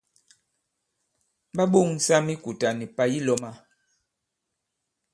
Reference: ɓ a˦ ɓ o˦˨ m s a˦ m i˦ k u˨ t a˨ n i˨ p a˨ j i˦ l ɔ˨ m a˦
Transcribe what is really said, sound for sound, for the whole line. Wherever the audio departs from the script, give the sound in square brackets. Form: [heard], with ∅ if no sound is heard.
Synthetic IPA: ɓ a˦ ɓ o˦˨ [ŋ] s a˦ m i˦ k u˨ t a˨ n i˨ p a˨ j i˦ l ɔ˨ m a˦